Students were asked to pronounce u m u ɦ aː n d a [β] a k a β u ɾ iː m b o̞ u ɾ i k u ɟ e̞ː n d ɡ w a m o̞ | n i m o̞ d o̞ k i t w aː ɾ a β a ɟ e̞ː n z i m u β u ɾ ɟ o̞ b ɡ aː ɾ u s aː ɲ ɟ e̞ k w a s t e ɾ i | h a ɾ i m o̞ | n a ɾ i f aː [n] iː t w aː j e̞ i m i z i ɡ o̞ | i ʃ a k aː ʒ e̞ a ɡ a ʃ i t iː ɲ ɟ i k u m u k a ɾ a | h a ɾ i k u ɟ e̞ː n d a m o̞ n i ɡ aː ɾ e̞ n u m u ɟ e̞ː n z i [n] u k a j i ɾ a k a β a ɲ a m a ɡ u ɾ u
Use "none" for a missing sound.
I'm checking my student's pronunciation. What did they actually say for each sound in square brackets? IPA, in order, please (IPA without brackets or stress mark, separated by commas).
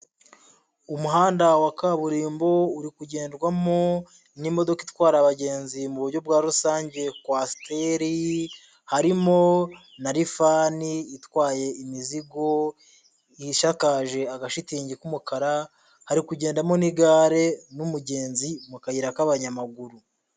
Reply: w, n, m